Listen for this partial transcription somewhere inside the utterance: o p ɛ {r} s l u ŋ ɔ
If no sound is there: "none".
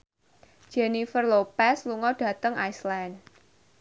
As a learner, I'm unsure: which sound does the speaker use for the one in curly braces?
none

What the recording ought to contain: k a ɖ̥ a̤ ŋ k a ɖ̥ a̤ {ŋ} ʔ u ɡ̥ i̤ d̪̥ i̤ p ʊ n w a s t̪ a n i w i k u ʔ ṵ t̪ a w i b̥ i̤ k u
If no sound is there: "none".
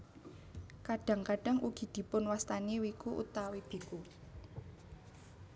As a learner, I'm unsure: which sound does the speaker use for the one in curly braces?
ŋ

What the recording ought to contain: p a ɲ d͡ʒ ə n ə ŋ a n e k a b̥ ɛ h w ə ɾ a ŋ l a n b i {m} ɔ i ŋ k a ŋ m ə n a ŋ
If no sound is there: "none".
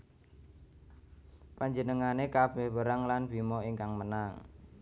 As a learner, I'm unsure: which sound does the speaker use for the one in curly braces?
m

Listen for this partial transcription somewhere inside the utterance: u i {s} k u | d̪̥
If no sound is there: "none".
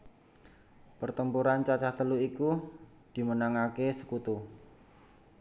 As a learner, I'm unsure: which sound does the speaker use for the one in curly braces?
none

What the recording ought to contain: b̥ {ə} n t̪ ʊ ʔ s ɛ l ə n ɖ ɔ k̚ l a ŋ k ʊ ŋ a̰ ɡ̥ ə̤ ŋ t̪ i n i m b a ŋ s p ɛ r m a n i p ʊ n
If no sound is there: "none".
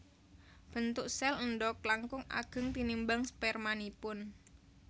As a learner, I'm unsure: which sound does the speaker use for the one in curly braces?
ə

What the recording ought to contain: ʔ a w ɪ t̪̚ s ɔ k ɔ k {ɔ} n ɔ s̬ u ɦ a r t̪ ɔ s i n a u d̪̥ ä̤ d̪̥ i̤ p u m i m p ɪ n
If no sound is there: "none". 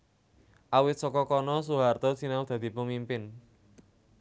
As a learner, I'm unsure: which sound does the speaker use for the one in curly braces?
ɔ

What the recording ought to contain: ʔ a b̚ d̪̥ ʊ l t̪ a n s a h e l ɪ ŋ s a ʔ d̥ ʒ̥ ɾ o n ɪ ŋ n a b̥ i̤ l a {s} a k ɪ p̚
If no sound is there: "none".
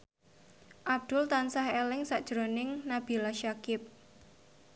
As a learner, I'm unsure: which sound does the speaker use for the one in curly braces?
ʃ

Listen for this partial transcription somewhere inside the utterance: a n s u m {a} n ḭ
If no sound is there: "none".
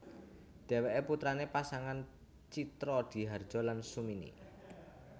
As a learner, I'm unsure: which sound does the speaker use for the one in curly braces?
i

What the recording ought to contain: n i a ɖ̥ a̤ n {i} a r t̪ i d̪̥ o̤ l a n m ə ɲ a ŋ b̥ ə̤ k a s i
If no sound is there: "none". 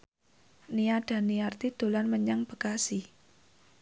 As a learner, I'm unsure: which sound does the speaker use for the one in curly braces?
i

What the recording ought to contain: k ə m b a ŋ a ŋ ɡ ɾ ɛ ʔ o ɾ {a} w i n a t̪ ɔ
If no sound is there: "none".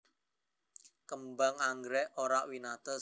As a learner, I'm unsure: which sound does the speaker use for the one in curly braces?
a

